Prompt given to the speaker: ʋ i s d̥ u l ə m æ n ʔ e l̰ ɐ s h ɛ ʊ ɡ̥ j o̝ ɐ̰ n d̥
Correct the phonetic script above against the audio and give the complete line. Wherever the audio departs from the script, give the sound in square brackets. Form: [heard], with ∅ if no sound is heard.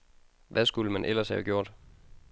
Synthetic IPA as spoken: ʋ [æ] s [ɡ̥] u l ə m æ n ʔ e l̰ ɐ s h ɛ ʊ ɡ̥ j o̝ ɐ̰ [∅] d̥